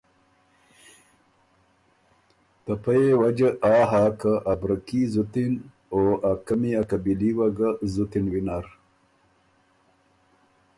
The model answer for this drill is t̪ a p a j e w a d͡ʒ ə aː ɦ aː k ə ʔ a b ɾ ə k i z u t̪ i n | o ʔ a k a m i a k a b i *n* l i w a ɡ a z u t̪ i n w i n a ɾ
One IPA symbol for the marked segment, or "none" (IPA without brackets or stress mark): none